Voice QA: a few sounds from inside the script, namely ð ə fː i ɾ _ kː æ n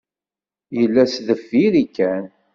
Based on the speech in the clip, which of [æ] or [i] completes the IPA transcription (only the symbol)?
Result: i